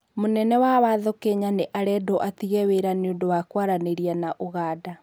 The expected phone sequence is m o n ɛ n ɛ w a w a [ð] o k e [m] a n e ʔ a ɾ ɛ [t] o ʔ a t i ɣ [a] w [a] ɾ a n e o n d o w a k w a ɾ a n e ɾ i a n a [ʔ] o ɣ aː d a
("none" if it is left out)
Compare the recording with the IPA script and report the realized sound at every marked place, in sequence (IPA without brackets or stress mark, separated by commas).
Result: ð, ɲ, d, ɛ, e, ʔ